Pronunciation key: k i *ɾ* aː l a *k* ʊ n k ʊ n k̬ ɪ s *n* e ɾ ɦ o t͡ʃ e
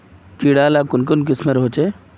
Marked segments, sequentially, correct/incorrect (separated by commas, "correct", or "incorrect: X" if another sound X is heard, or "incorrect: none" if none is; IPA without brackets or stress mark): incorrect: ɽ, correct, incorrect: m